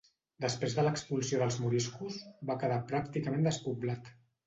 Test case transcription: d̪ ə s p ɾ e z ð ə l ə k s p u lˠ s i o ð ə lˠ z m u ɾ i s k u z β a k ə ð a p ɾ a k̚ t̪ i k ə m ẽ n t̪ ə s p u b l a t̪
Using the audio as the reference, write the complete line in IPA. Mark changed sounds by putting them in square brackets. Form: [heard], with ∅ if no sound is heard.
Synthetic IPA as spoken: d̪ ə s p ɾ e z ð ə l ə k s p u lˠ s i o ð ə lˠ z m u ɾ i s k u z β a k ə ð a p ɾ a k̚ t̪ i k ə m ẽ n [d̪] ə s p u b l a t̪